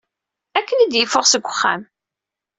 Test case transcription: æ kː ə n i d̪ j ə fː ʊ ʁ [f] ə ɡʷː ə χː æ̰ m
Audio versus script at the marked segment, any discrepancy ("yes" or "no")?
yes